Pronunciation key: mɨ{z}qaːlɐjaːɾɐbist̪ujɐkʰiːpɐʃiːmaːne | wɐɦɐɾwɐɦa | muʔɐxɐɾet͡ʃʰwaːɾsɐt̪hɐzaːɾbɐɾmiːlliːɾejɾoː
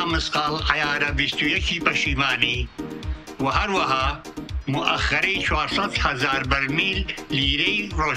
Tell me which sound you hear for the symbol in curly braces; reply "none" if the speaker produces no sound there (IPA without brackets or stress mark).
s